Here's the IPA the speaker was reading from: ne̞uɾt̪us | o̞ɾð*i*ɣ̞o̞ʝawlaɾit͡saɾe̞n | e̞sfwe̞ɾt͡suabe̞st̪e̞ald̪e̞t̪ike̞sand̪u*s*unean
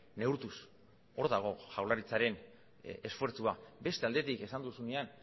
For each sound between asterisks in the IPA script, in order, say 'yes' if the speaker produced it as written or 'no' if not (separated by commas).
no, yes